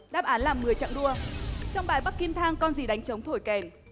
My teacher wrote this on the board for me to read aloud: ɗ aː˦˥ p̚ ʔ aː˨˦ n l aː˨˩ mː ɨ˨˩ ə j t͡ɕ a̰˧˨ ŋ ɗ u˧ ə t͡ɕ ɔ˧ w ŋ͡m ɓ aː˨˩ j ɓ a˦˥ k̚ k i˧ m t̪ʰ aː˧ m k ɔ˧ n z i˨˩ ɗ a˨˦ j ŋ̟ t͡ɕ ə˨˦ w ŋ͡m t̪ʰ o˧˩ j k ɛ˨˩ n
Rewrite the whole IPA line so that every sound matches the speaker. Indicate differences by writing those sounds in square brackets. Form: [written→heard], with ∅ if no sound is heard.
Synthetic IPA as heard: ɗ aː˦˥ p̚ ʔ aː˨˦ n l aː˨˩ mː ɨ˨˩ ə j t͡ɕ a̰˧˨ ŋ ɗ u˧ ə t͡ɕ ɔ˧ w ŋ͡m ɓ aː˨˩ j ɓ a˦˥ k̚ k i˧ m t̪ʰ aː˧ [m→ŋ] k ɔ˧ n z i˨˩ ɗ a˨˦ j ŋ̟ t͡ɕ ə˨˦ w ŋ͡m t̪ʰ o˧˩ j k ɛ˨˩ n